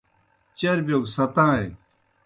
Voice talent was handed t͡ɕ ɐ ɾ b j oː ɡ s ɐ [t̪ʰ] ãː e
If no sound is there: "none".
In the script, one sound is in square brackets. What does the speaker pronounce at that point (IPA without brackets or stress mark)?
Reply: t̪